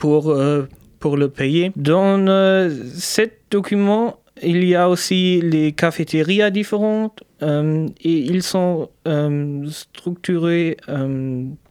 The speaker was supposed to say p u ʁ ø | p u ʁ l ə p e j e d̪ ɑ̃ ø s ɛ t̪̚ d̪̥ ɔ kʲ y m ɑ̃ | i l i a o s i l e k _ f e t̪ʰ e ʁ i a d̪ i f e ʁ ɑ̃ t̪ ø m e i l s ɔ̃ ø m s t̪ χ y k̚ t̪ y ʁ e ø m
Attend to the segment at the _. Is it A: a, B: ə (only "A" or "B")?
A